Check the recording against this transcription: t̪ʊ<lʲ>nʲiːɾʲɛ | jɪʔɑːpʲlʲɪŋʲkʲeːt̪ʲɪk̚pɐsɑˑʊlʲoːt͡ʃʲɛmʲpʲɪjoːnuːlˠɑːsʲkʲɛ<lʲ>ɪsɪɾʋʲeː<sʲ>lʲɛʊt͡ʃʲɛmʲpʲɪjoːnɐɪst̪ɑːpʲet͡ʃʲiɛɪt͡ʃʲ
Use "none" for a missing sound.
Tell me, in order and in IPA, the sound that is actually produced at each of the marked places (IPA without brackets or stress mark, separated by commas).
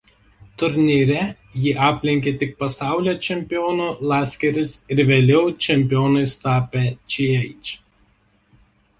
ɾʲ, ɾʲ, none